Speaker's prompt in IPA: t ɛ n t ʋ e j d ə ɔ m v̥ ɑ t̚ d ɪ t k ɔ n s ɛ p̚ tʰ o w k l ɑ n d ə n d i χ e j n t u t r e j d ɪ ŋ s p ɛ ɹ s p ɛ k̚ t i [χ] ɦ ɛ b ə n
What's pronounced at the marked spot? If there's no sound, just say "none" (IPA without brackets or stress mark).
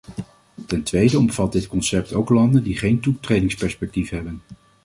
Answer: f